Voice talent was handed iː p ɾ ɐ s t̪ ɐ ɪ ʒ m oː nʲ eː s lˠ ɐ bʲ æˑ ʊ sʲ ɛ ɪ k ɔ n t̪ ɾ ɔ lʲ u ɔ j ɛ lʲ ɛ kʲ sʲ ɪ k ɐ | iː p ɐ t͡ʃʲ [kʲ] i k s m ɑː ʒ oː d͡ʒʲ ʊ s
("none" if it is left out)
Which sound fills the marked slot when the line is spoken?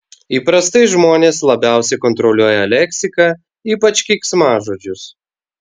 kʲ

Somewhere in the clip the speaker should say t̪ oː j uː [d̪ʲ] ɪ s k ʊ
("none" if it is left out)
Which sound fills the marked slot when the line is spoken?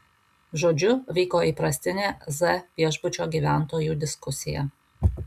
d̪ʲ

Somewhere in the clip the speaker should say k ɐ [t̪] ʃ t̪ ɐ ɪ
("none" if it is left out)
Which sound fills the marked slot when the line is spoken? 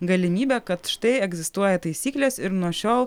t̪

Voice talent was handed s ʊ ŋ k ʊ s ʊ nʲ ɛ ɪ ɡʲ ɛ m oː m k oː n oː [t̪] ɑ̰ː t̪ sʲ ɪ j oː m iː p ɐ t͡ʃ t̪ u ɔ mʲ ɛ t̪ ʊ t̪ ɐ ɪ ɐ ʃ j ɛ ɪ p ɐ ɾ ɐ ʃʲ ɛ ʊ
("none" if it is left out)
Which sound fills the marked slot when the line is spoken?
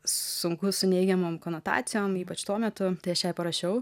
t̪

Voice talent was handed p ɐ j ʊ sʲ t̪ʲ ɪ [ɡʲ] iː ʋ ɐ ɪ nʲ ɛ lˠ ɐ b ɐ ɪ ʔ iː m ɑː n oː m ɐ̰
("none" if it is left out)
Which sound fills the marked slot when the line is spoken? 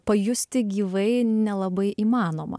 ɡʲ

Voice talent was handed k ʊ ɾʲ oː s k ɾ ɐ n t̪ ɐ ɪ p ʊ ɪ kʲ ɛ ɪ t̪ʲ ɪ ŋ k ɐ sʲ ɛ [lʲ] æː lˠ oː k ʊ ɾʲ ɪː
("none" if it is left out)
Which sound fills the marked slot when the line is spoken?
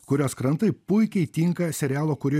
ɾʲ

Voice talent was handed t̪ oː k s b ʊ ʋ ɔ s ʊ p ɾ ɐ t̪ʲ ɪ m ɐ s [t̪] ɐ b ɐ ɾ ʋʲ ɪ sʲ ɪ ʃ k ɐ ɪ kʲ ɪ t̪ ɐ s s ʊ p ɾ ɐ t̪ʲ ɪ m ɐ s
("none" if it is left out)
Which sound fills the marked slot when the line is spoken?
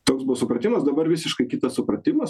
d̪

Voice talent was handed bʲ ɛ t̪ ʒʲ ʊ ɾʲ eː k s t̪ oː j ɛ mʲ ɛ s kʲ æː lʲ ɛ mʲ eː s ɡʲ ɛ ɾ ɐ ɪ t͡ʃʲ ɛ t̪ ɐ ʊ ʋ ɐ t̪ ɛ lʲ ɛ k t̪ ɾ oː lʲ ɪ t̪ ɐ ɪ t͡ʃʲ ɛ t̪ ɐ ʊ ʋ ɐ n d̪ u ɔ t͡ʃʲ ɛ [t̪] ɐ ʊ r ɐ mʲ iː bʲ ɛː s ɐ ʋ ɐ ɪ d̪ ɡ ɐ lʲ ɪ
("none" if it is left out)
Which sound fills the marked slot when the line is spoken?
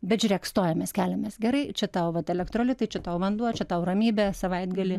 t̪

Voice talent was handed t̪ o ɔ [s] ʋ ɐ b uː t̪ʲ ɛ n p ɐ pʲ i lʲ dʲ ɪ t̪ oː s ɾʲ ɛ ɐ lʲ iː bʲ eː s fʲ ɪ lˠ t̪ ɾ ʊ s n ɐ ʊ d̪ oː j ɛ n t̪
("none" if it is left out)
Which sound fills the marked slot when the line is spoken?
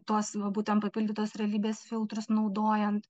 s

